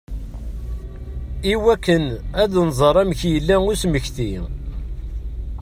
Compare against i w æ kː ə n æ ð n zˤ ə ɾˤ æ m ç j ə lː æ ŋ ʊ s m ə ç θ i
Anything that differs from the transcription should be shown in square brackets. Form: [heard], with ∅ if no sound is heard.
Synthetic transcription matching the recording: i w æ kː ə n æ ð n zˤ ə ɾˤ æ m ç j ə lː æ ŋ ʊ s m ə ç θ i